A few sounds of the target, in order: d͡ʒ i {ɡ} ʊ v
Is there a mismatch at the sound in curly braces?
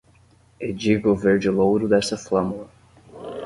no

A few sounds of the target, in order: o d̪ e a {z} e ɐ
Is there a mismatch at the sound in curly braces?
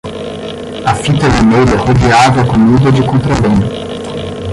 yes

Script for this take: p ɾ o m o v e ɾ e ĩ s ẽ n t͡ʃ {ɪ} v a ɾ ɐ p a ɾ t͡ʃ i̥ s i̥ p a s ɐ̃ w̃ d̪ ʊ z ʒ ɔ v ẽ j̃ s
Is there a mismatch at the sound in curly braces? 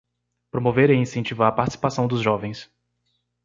yes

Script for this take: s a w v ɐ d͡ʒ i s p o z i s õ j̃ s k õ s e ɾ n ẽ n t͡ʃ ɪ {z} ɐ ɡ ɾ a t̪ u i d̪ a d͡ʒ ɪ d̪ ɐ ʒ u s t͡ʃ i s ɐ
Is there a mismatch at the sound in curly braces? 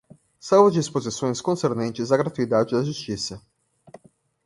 no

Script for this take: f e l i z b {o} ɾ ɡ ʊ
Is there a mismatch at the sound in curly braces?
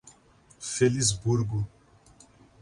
yes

